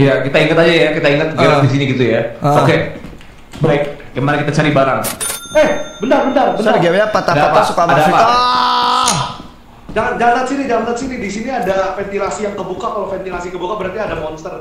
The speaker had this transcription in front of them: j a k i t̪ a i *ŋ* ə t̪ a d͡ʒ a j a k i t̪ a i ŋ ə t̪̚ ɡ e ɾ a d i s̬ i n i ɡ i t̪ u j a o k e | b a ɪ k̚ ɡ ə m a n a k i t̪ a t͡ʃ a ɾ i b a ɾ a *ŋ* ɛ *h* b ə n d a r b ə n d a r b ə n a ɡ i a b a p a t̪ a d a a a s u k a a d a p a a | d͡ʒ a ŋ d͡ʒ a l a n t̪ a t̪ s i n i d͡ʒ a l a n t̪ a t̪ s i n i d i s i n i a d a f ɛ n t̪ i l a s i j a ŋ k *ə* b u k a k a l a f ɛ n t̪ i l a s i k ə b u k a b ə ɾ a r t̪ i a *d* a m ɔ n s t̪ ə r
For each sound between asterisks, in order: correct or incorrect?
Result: correct, correct, correct, correct, correct

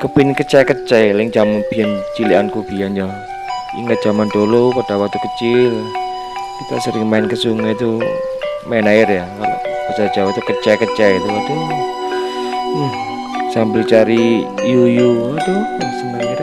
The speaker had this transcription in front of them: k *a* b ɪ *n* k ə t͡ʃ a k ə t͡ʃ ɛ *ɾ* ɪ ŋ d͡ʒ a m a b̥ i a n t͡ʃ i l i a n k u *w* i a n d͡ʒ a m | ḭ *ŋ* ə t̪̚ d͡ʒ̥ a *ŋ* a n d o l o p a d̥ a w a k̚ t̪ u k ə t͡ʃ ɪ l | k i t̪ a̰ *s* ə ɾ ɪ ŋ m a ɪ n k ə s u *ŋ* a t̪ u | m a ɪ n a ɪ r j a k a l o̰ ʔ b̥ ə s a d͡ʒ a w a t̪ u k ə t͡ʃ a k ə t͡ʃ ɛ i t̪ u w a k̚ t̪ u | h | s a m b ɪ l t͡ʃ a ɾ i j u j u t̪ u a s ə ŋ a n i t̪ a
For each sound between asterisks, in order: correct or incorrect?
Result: incorrect, correct, incorrect, incorrect, correct, incorrect, correct, correct

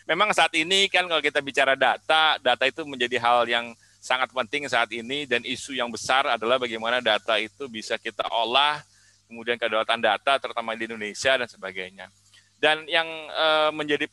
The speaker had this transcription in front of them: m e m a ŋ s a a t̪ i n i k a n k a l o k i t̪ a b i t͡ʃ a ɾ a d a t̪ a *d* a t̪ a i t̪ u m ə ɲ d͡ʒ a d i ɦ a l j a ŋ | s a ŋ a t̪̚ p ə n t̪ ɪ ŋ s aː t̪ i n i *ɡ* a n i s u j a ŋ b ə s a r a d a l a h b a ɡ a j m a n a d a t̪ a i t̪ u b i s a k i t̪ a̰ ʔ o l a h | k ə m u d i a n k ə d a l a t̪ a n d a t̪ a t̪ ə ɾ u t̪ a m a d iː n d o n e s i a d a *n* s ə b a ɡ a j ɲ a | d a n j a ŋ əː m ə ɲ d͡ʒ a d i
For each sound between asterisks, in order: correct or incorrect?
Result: correct, incorrect, correct

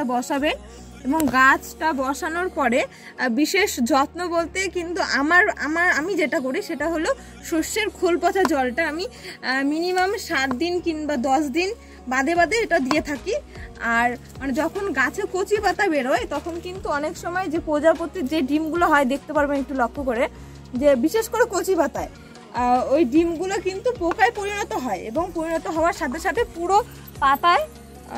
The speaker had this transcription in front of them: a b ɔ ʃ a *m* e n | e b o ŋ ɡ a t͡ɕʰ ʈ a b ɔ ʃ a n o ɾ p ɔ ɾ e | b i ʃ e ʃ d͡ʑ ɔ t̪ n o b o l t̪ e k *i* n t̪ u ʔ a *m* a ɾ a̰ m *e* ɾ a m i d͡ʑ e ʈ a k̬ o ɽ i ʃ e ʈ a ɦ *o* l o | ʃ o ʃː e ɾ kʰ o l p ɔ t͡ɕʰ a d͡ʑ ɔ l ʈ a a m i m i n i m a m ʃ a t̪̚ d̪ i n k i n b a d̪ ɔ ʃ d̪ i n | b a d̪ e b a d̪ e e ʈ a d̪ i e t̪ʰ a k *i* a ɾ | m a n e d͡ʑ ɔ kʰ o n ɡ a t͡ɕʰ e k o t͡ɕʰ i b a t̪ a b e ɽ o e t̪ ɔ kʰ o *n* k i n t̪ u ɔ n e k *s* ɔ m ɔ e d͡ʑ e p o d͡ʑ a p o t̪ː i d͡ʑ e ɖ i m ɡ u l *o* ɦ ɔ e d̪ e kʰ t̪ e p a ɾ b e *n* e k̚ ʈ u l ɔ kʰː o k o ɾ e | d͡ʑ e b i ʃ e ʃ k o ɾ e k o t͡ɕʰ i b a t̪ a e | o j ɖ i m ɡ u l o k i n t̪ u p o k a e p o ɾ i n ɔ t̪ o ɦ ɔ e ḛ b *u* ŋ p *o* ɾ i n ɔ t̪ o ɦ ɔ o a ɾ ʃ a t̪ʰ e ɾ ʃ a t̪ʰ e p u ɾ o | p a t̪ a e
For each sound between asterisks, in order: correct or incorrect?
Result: incorrect, correct, correct, incorrect, correct, correct, correct, incorrect, correct, correct, incorrect, correct

